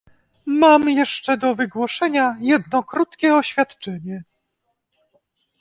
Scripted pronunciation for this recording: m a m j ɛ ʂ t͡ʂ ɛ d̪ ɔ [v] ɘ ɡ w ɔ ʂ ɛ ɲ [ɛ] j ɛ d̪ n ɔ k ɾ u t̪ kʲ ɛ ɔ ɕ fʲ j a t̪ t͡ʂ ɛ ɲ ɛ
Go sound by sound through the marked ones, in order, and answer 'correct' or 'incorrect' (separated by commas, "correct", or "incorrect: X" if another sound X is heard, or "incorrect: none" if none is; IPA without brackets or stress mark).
correct, incorrect: a